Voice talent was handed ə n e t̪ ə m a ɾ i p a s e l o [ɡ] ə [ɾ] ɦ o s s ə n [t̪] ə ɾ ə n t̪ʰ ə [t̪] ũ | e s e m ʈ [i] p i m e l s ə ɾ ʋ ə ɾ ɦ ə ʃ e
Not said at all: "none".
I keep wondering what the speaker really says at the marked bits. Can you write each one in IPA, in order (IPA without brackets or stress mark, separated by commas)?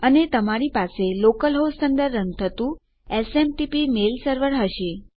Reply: k, l, d̪, t̪, i